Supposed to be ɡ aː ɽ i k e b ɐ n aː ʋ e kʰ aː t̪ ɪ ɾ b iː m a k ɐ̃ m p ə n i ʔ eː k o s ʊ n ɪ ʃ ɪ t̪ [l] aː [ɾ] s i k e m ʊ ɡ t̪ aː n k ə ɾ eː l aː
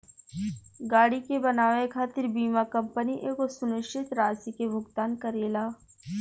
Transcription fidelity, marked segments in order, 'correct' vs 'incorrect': incorrect: ɾ, incorrect: none

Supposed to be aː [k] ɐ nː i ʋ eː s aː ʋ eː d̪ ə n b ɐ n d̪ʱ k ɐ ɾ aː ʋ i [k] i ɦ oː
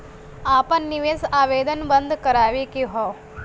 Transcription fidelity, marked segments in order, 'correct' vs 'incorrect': incorrect: p, correct

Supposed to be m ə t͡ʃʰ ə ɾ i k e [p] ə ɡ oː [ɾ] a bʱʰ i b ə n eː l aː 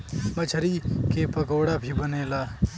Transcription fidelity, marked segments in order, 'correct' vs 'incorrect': correct, incorrect: ɽ

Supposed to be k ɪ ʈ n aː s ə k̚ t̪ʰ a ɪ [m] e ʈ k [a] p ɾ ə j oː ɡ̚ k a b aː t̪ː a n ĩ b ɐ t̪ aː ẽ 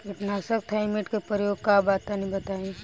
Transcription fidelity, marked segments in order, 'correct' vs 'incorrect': correct, incorrect: e

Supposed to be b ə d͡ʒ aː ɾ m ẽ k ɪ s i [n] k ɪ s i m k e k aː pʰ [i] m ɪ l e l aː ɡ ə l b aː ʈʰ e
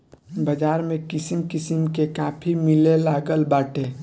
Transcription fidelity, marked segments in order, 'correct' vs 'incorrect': incorrect: m, correct

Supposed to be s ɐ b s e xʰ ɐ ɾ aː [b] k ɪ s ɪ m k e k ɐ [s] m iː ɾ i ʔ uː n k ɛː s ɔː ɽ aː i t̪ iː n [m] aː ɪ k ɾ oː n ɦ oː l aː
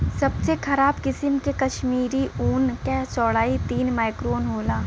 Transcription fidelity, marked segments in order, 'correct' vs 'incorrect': correct, incorrect: ʃ, correct

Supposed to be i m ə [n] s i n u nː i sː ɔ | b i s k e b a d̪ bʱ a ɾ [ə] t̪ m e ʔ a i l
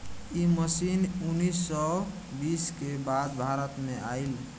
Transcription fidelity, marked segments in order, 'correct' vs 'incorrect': incorrect: none, correct

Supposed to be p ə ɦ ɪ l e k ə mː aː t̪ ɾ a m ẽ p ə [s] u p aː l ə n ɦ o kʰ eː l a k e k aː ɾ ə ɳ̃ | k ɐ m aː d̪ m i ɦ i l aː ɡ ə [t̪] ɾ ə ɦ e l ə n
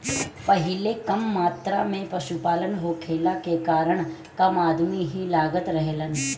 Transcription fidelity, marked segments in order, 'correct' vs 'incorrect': incorrect: ʃ, correct

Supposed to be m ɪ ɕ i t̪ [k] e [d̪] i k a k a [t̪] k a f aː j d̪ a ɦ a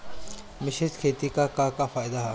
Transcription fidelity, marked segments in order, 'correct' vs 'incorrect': incorrect: kʰ, incorrect: t̪, incorrect: none

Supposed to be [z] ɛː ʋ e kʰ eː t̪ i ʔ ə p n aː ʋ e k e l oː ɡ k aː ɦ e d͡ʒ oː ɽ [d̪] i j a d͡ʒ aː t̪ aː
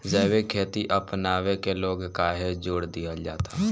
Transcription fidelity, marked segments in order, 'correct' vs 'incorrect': correct, correct

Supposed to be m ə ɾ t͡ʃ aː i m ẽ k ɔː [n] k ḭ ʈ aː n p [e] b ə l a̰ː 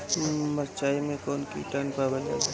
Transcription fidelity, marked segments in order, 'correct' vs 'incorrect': correct, incorrect: a

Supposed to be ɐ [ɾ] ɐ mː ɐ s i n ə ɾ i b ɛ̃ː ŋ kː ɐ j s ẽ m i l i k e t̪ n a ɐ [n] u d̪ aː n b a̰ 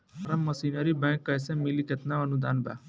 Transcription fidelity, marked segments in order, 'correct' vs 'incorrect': correct, correct

